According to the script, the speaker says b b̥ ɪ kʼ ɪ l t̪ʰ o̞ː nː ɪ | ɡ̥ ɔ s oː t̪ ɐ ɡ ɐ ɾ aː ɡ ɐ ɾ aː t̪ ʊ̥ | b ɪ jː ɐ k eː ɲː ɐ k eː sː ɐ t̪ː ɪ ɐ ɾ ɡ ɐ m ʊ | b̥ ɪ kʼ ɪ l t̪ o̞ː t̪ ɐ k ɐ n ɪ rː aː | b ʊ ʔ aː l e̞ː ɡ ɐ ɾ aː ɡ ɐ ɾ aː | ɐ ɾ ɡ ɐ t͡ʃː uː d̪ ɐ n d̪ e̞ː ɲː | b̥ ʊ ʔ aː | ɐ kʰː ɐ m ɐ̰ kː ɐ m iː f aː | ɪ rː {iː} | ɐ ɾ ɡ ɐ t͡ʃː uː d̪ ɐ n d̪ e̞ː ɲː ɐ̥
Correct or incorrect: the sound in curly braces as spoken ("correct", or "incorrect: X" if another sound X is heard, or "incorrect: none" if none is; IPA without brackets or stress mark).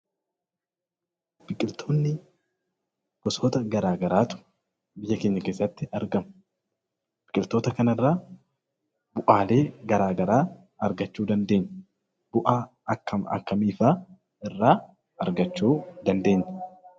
incorrect: aː